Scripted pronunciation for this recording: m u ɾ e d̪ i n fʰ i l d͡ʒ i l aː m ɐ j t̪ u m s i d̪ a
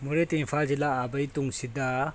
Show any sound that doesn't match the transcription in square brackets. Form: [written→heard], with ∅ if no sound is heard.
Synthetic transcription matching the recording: m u ɾ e [d̪→t̪] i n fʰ [i→a] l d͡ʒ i l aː [m→b] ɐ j t̪ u [m→ŋ] s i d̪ a